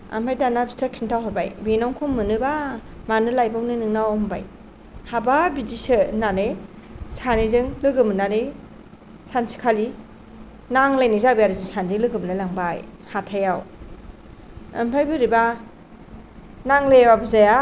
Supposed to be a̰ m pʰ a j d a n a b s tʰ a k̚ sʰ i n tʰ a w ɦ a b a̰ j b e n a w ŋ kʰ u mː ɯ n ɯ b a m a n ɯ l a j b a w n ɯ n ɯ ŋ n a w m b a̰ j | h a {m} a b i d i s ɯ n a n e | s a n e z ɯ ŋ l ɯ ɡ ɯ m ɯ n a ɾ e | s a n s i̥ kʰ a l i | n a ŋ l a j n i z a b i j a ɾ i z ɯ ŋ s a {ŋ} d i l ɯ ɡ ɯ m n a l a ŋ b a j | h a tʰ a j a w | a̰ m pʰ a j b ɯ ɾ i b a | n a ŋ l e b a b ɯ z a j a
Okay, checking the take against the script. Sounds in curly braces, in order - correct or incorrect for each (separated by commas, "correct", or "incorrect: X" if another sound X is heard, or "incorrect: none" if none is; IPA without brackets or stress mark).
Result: incorrect: b, incorrect: n